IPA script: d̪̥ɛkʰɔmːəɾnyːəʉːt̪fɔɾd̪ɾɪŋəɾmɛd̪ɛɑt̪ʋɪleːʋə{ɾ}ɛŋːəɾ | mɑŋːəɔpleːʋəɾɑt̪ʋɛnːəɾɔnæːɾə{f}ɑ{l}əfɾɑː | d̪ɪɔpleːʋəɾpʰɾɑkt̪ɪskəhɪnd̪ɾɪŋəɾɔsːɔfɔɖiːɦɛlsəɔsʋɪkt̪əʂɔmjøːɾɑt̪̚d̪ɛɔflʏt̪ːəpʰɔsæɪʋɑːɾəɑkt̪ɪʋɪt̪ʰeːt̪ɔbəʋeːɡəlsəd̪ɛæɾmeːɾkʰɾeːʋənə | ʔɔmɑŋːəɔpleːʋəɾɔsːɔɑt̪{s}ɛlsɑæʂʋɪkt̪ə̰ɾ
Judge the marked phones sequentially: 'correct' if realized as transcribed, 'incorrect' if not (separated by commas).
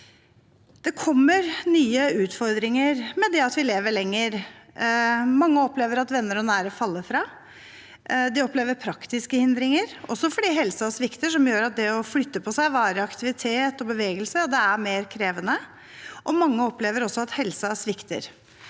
incorrect, correct, incorrect, incorrect